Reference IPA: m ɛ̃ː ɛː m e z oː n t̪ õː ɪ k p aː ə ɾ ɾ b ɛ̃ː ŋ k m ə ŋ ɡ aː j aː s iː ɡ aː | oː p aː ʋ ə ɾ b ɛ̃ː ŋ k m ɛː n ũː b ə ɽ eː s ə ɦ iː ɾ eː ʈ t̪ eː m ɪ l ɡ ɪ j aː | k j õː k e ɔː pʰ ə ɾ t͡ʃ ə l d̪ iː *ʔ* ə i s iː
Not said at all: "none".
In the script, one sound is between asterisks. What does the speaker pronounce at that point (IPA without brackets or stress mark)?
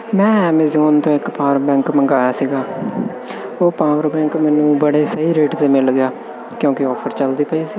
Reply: p